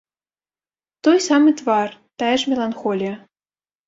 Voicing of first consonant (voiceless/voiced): voiceless